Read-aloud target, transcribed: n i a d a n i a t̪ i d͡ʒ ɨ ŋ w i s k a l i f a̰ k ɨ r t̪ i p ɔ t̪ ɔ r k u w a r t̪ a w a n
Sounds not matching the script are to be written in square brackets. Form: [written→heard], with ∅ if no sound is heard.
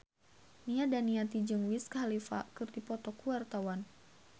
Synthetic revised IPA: n i a d a n i a t̪ i d͡ʒ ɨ ŋ w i s k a l i f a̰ k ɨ r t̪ i p ɔ t̪ ɔ [r→∅] k u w a r t̪ a w a n